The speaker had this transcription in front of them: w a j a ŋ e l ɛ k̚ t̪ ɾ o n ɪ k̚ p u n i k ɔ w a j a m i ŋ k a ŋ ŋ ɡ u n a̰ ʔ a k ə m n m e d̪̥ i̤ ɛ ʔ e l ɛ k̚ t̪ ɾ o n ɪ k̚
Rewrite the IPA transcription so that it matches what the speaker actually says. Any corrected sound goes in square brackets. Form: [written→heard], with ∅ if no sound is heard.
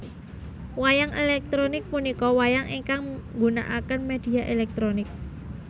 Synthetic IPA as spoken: w a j a ŋ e l ɛ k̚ t̪ ɾ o n ɪ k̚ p u n i k ɔ w a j a [m→ŋ] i ŋ k a ŋ ŋ ɡ u n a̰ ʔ a k ə [m→∅] n m e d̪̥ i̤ [ɛ→a] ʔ e l ɛ k̚ t̪ ɾ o n ɪ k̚

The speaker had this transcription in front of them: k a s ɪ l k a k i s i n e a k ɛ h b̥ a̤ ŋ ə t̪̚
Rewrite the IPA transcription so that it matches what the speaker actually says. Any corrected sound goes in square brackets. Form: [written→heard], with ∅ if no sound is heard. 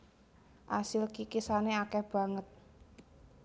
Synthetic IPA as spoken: [k→ʔ] a s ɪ l k [a→i] k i s [i→a] n e a k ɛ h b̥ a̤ ŋ ə t̪̚

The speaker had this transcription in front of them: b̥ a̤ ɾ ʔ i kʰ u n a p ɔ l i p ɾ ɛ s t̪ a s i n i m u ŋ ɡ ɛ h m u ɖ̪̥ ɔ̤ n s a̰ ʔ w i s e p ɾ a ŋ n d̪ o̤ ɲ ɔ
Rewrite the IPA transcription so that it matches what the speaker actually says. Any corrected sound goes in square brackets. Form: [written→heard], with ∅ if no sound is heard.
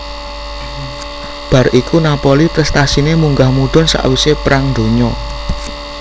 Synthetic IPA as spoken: b̥ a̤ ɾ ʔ i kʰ u n a p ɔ l i p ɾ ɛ s t̪ a s i n [i→e] m u ŋ ɡ [ɛ→a] h m u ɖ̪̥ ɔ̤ n s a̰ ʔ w i s e p ɾ a ŋ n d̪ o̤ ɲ ɔ

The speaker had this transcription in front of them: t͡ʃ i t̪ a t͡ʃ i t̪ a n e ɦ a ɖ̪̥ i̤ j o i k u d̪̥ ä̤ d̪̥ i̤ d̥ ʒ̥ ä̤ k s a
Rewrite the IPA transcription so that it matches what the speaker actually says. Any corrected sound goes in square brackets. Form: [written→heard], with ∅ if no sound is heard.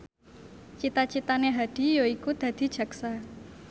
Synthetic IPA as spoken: t͡ʃ i t̪ a t͡ʃ i t̪ a n e ɦ a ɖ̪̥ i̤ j o i k u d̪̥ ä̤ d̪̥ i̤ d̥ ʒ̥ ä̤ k s a

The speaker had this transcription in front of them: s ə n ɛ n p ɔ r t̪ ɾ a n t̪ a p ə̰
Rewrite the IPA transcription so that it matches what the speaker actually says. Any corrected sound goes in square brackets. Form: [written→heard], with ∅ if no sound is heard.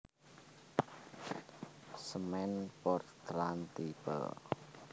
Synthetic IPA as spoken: s ə [n→m] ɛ n p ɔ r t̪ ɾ a n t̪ [a→i] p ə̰

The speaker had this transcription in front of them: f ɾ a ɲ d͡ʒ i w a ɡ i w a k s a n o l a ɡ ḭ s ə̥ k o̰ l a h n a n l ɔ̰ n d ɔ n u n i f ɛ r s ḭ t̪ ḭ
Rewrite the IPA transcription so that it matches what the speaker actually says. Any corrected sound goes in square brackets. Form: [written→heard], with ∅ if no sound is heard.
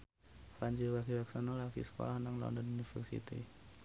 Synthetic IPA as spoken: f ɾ a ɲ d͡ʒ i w a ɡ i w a k s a n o l a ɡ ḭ s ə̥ k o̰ l a h n a [n→ŋ] l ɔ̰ n d ɔ n u n i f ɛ r s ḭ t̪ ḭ

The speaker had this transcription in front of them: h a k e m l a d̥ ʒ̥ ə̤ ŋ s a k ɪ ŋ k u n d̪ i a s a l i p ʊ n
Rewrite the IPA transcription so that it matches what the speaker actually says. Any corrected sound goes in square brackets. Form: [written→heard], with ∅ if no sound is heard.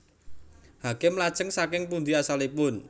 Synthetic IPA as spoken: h a k e m l a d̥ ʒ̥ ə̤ ŋ s a k ɪ ŋ [k→p] u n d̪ i a s a l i p ʊ n

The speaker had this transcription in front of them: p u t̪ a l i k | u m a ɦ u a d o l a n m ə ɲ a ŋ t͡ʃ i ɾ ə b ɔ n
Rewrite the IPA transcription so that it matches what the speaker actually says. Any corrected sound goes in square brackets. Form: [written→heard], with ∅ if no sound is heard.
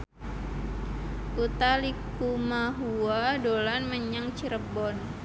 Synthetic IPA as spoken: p u t̪ a l i k | u m a ɦ u a d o l a n m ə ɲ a ŋ t͡ʃ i ɾ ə b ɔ n

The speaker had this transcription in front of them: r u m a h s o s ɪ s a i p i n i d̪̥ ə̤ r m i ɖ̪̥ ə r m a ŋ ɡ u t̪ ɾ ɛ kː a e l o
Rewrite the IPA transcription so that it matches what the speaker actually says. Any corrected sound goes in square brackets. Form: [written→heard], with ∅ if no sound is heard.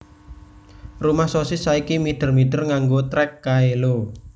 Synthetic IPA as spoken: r u m a h s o s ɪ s a i [p→k] i [n→m] i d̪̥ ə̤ r m i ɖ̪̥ ə r [m→ŋ] a ŋ ɡ [u→o] t̪ ɾ ɛ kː a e l o

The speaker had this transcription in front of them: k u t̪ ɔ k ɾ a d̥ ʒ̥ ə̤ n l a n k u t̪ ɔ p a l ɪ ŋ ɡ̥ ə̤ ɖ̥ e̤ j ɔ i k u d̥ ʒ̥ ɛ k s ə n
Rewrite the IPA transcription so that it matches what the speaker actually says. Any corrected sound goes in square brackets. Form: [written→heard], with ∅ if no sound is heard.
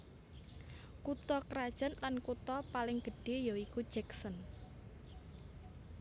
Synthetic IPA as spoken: k u t̪ ɔ k ɾ a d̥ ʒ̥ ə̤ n l a n k u t̪ ɔ p a l ɪ ŋ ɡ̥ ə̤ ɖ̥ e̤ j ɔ i k u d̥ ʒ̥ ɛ k s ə n

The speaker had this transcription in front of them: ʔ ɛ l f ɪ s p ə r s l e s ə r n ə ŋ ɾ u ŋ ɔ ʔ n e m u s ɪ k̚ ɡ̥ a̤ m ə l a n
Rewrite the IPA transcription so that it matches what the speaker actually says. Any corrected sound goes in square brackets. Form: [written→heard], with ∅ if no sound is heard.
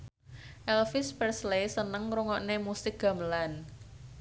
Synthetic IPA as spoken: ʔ ɛ l f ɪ s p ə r s l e s ə [r→∅] n ə ŋ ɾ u ŋ ɔ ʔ n e m u s ɪ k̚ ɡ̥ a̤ m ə l a n

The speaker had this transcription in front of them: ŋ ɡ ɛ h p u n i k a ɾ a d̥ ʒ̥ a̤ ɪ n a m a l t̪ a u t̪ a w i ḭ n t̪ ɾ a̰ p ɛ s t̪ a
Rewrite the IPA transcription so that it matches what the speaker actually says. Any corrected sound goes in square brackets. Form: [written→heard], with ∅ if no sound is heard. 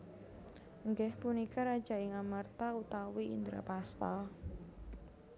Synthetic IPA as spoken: ŋ ɡ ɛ h p u n i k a ɾ a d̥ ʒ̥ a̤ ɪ [n→ŋ] a m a [l→r] t̪ a u t̪ a w i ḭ n [t̪→d̪] ɾ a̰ p [ɛ→a] s t̪ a

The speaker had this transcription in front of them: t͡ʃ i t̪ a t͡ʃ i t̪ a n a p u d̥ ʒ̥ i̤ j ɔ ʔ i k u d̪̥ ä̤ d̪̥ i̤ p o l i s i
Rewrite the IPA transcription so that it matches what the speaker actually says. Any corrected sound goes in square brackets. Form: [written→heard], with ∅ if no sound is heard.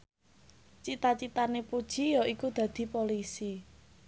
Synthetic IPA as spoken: t͡ʃ i t̪ a t͡ʃ i t̪ a n [a→e] p u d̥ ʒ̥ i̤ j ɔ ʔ i k u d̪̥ ä̤ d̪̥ i̤ p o l i s i

